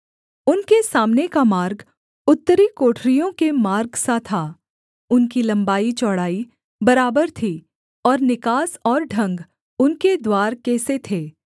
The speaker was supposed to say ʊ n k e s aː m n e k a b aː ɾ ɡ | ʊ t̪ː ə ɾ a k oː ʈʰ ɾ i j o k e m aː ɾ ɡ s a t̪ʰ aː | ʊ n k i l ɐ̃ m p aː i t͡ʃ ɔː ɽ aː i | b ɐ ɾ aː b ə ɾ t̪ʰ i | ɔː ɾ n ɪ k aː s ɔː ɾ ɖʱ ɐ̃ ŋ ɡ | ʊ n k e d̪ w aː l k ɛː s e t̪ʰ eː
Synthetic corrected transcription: ʊ n k e s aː m n e k a m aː ɾ ɡ | ʊ t̪ː ə ɾ i k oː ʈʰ ɾ i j õ k e m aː ɾ ɡ s a t̪ʰ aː | ʊ n k i l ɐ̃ m b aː i t͡ʃ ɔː ɽ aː i | b ɐ ɾ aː b ə ɾ t̪ʰ i | ɔː ɾ n ɪ k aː s ɔː ɾ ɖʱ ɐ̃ ŋ ɡ | ʊ n k e d̪ w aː ɾ k ɛː s e t̪ʰ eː

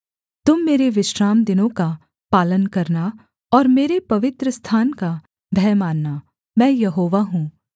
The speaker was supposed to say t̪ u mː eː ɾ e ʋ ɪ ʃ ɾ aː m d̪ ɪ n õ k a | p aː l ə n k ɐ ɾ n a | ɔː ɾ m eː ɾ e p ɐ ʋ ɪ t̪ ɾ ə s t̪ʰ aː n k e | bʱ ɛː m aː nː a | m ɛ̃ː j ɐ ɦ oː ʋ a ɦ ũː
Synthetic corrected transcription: t̪ ʊ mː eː ɾ e ʋ ɪ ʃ ɾ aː m d̪ ɪ n õ k a | p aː l ə n k ɐ ɾ n a | ɔː ɾ m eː ɾ e p ɐ ʋ ɪ t̪ ɾ ə s t̪ʰ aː n k a | bʱ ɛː m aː nː a | m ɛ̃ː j ɐ ɦ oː ʋ a ɦ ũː

